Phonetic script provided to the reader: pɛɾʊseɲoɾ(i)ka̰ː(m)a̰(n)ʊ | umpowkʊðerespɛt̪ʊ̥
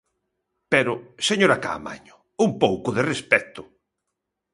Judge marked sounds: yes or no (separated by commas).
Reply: no, yes, no